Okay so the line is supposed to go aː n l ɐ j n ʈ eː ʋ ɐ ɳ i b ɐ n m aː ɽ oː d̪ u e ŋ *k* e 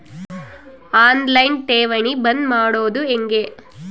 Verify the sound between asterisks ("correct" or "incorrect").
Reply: incorrect